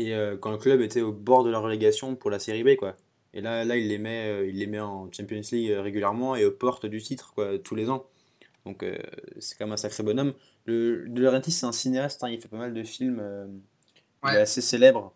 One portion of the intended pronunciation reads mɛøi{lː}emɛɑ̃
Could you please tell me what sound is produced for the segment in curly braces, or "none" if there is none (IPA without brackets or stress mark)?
lː